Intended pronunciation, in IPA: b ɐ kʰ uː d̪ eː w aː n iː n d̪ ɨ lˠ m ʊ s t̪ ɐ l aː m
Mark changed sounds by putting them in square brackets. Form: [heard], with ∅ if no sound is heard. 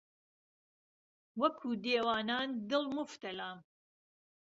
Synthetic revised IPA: [w] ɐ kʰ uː d̪ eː w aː n [aː] n d̪ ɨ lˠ m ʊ [f] t̪ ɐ l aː m